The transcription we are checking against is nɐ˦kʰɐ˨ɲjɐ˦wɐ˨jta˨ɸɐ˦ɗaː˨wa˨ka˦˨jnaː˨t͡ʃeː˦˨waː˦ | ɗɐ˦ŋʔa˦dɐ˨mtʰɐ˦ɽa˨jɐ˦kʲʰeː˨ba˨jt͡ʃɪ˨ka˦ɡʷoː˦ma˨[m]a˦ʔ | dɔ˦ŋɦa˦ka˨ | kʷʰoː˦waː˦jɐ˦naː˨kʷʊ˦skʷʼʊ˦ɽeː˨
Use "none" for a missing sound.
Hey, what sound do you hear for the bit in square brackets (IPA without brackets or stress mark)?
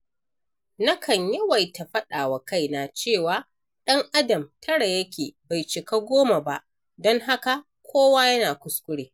b